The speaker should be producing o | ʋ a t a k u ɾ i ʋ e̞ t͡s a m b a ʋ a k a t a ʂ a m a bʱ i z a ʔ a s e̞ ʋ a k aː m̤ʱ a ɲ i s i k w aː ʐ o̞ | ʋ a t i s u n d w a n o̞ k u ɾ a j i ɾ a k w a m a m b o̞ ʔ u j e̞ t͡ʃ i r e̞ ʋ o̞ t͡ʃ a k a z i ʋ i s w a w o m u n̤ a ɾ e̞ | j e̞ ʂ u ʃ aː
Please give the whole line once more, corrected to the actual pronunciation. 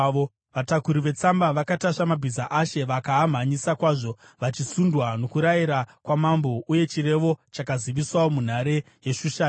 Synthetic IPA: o | ʋ a t a k u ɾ i ʋ e̞ t͡s a m b a ʋ a k a t a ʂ a m a bʱ i z a ʔ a ʃ e̞ ʋ a k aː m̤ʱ a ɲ i s a k w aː ʐ o̞ | ʋ a t͡ʃ i s u n d w a n o̞ k u ɾ a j i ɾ a k w a m a m b o̞ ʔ u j e̞ t͡ʃ i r e̞ ʋ o̞ t͡ʃ a k a z i ʋ i s w a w o m u n̤ a ɾ e̞ | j e̞ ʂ u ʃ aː

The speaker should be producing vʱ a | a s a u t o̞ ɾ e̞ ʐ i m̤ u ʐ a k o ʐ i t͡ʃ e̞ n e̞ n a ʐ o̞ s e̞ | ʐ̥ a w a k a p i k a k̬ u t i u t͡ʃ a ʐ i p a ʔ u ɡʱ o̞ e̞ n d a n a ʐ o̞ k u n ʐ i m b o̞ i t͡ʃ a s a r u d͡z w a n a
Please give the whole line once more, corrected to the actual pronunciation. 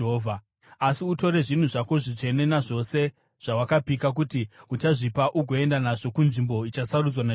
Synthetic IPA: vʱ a | a s i u t o̞ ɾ e̞ ʐ i n̤ u ʐ a k o ʐ i t͡ʃ e̞ n e̞ n a ʐ o̞ s e̞ | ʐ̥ a w a k a p i k a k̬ u t i u t͡ʃ a ʐ i p a ʔ u ɡʱ o̞ e̞ n d a n a ʐ o̞ k u n ʐ i m b o̞ i t͡ʃ a s a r u d͡z w a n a

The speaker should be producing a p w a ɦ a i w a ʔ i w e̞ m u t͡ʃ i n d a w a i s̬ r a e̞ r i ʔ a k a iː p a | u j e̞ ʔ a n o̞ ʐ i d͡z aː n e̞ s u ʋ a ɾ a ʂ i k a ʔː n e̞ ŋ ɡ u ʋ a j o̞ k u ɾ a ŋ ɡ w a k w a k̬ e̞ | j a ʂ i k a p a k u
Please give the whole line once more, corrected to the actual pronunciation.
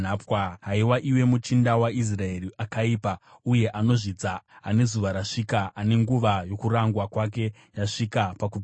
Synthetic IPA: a p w a ɦ a i w a ʔ i w e̞ m u t͡ʃ i n d a w a i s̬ r a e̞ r i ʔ a k a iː p a | u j e̞ ʔ a n o̞ ʐ i d͡z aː n e̞ z u ʋ a ɾ a ʂ i k a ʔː n e̞ ŋ ɡ u ʋ a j o̞ k u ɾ a ŋ ɡ w a k w a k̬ e̞ | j a ʂ i k a p a k u

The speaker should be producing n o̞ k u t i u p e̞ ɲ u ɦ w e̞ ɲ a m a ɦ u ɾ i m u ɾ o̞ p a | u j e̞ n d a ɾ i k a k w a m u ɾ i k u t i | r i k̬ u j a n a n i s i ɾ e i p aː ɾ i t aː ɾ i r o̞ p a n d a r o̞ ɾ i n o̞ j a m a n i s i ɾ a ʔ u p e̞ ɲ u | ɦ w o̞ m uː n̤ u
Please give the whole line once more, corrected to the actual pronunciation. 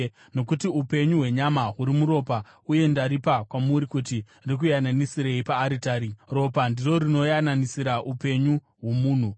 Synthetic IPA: n o̞ k u t i u p e̞ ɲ u ɦ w e̞ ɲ a m a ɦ u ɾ i m u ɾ o̞ p a | u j e̞ n d a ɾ i p a k w a m u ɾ i k u t i | r i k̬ u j a n a n i s i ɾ e i p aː ɾ i t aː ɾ i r o̞ p a n d i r o̞ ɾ i n o̞ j a n a n i s i ɾ a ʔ u p e̞ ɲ u | ɦ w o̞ m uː n̤ u

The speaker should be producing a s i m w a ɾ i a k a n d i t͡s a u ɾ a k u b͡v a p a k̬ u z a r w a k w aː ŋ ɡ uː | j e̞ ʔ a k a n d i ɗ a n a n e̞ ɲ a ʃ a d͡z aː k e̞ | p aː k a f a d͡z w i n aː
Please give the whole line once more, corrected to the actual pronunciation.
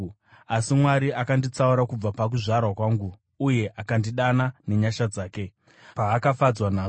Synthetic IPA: a s i m w a ɾ i a k a n d i t͡s a u ɾ a k u b͡v a p a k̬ u ʐ a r w a k w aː ŋ ɡ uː | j e̞ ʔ a k a n d i ɗ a n a n e̞ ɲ a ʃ a d͡z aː k e̞ | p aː k a f a d͡z w a n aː

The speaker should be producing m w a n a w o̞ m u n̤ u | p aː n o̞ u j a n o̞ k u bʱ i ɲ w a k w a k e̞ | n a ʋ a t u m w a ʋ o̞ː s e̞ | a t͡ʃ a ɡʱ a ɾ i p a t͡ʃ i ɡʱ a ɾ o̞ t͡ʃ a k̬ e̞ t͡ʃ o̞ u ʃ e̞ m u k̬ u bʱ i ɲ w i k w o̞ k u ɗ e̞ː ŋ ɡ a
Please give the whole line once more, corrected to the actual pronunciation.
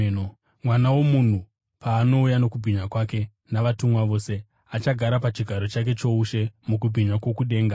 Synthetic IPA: m w a n a w o̞ m u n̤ u | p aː n o̞ u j a n o̞ k u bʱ i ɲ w a k w a k e̞ | n a ʋ a t u m w a ʋ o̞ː s e̞ | a t͡ʃ a ɡʱ a ɾ a p a t͡ʃ i ɡʱ a ɾ o̞ t͡ʃ a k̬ e̞ t͡ʃ o̞ u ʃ e̞ m u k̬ u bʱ i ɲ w a k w o̞ k u ɗ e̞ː ŋ ɡ a

